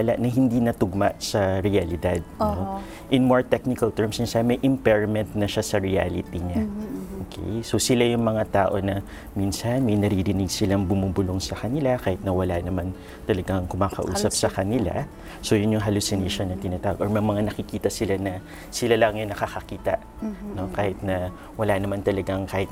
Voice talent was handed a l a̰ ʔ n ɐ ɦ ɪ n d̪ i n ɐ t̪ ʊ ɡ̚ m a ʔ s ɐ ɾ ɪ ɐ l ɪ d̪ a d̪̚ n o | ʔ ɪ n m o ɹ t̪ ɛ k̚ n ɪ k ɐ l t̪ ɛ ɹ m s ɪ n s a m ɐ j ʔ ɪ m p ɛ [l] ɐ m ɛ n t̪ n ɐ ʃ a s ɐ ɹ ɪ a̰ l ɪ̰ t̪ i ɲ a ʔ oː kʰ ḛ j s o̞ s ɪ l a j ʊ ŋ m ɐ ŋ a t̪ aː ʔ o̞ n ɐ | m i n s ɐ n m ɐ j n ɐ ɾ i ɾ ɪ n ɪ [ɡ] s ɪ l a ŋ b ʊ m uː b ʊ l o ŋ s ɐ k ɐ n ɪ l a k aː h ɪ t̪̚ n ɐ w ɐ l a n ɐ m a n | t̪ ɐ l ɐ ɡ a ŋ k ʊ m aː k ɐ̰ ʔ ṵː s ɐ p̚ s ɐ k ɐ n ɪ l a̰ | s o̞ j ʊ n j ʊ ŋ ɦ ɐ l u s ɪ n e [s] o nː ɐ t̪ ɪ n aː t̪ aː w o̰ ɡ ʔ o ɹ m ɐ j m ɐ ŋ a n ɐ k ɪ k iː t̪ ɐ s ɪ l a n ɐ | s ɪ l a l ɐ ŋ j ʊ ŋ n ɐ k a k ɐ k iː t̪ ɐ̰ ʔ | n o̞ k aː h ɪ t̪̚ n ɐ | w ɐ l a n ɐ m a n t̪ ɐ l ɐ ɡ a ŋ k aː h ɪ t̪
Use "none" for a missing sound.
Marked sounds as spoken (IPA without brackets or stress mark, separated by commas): ɹ, ɡ, ʃ